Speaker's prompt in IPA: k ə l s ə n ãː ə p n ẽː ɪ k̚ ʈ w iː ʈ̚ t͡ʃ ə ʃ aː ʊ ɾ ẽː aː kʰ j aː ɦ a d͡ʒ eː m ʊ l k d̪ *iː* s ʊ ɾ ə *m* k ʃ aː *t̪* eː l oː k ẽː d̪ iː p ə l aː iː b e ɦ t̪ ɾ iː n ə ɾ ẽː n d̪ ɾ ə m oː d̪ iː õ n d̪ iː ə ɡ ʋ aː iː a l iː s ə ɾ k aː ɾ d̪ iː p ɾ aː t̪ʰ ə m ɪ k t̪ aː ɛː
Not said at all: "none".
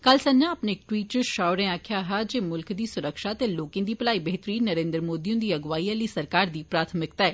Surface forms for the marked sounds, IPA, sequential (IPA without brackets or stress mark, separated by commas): iː, none, t̪